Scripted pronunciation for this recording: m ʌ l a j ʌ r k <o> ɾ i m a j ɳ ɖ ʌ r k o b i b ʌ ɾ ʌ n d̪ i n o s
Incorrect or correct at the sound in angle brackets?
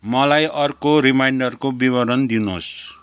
correct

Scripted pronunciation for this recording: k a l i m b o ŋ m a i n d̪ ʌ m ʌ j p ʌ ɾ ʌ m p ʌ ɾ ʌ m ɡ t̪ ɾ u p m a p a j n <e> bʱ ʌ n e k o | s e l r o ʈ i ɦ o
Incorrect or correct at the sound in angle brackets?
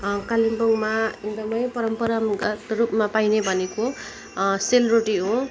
correct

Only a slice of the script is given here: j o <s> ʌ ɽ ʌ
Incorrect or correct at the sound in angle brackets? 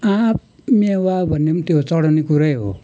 incorrect: t͡s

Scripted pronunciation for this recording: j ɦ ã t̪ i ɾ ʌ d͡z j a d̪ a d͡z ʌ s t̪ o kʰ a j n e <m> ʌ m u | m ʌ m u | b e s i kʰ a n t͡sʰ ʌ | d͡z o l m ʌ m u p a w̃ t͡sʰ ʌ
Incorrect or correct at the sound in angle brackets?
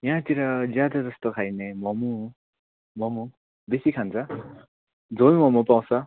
correct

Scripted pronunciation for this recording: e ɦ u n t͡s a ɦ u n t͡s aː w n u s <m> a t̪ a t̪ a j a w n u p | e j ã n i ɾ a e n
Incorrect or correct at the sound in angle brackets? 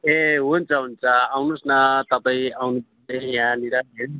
incorrect: n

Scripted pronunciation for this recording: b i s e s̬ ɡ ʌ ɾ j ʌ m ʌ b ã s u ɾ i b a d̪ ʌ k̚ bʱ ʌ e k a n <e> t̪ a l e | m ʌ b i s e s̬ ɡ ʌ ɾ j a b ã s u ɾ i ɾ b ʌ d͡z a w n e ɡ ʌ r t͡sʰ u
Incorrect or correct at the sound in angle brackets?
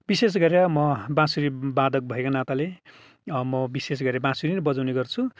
incorrect: a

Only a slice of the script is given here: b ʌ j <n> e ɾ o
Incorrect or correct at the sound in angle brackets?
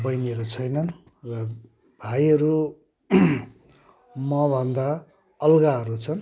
correct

